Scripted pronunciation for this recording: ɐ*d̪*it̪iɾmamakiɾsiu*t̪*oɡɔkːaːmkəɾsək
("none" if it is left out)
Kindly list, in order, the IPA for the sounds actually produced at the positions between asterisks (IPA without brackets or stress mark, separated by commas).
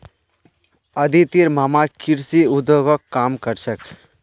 d̪, d̪